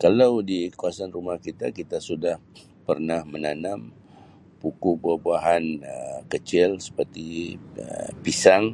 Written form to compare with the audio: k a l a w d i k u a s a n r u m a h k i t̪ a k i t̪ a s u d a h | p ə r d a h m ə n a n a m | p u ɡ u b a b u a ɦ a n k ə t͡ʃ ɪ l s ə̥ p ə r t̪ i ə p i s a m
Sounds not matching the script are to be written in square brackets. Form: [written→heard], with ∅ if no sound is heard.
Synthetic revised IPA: k a l a w d i k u a s a n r u m a h k i t̪ a k i t̪ a s u d a h | p ə r [d→n] a h m ə n a n a m | p u [ɡ→k] u b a b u a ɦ a n k ə t͡ʃ ɪ l s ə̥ p ə r t̪ i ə p i s a [m→ŋ]